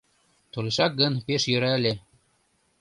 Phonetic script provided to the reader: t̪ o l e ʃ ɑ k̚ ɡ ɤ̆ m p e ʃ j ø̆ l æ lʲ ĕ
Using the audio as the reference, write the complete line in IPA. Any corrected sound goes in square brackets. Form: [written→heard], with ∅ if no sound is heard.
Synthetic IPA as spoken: t̪ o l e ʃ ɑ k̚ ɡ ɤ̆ [m→n] p e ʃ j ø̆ [l→ɾ] æ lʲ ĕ